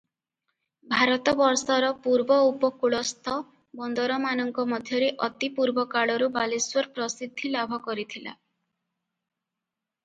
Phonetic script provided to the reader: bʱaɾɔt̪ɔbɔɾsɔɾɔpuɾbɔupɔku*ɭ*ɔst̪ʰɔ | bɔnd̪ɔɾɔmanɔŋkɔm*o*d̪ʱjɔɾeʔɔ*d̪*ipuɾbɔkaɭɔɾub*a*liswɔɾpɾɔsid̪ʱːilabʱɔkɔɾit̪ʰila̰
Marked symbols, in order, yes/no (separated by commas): yes, no, no, yes